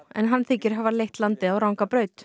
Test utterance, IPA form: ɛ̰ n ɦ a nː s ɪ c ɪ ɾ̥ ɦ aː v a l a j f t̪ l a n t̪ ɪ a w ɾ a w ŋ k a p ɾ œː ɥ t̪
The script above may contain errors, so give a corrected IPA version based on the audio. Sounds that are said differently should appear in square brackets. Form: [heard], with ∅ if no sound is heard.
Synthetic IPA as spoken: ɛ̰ n ɦ a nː [θ] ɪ c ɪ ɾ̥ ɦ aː v a l [e] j [h] t̪ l a n t̪ ɪ a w ɾ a w ŋ k a p ɾ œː ɥ t̪